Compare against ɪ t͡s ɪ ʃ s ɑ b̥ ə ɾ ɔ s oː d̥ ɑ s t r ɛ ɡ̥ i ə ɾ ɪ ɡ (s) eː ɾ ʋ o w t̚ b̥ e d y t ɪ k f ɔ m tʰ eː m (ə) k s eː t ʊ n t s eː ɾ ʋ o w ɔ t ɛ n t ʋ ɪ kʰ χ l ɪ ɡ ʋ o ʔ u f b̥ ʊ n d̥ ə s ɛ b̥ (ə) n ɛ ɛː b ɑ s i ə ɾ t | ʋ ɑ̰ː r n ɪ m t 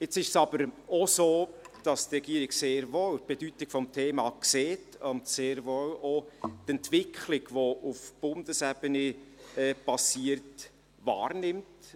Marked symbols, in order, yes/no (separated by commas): yes, no, yes